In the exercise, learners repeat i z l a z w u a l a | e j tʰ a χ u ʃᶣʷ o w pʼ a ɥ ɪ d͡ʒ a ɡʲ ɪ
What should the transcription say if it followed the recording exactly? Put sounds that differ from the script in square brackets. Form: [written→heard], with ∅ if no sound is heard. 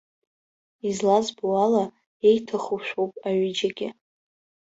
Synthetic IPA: i z l a z [w→b] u a l a | e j tʰ a χ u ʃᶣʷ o w pʼ a ɥ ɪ d͡ʒ a ɡʲ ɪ